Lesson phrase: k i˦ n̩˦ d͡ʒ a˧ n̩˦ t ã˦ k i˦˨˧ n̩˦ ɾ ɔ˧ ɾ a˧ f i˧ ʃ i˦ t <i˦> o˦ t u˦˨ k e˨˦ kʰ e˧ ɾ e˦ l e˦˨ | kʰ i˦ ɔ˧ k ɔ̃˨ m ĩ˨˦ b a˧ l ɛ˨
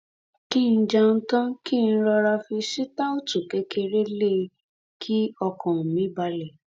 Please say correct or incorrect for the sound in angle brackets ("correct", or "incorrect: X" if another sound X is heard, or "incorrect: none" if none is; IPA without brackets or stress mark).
incorrect: a˦